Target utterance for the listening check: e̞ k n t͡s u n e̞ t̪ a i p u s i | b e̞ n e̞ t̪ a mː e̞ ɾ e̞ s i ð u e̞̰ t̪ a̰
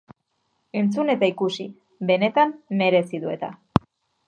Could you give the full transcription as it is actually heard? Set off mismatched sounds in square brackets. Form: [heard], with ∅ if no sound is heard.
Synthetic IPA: e̞ [∅] n t͡s u n e̞ t̪ a i [k] u s i | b e̞ n e̞ t̪ a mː e̞ ɾ e̞ s i ð u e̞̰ t̪ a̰